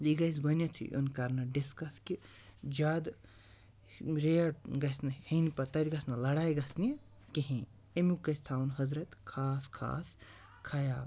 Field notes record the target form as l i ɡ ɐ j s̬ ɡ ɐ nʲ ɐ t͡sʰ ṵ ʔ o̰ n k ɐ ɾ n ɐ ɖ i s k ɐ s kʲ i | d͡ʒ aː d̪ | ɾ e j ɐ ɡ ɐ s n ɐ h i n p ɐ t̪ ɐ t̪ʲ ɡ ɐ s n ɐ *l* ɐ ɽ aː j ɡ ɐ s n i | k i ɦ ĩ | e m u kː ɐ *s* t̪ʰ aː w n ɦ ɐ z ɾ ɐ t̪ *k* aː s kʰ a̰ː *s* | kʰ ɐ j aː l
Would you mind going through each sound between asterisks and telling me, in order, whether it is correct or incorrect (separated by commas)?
correct, correct, incorrect, correct